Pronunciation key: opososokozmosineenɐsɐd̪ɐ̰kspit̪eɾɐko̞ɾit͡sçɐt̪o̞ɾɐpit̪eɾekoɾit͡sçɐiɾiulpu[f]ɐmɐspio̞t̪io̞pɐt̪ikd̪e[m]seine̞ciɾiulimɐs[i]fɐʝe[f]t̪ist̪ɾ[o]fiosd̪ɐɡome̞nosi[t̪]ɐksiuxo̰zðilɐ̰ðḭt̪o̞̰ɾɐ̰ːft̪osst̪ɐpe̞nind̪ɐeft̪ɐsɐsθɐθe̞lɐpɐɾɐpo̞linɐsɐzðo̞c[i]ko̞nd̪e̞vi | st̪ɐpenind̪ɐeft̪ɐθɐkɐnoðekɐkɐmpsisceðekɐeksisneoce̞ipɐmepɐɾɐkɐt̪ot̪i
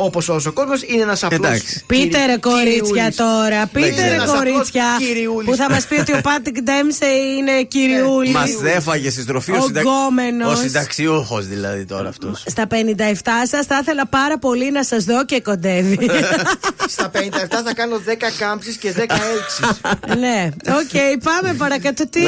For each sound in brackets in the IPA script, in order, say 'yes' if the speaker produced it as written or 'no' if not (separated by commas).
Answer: no, yes, no, no, yes, no, no